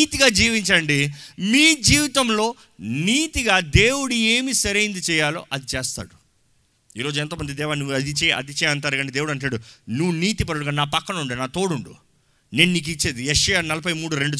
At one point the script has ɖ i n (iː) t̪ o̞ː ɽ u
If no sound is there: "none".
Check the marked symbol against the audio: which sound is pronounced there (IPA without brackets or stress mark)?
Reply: aː